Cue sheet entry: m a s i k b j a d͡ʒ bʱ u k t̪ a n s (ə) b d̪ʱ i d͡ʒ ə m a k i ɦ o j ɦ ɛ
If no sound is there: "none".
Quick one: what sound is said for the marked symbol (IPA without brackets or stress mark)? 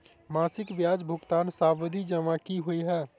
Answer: a